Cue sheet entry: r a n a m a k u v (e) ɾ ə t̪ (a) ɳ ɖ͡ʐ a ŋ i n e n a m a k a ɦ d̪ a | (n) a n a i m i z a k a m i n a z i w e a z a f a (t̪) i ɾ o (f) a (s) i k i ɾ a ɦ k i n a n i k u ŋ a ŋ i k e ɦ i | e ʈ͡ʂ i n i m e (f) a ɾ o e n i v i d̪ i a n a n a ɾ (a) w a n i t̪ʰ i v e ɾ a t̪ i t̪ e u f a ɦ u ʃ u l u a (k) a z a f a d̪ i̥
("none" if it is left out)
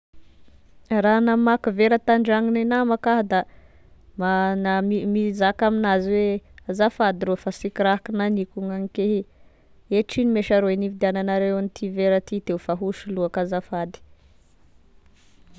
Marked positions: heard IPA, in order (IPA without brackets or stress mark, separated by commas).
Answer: e, a, m, d̪, f, s, ʃ, e, k